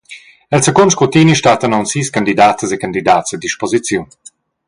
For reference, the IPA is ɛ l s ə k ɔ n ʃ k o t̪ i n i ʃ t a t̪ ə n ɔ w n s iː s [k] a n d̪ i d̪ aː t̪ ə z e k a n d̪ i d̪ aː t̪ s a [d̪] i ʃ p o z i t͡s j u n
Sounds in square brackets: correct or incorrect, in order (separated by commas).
correct, correct